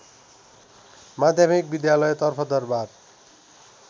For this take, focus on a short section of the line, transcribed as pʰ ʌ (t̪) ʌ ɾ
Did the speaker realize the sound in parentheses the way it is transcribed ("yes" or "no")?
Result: no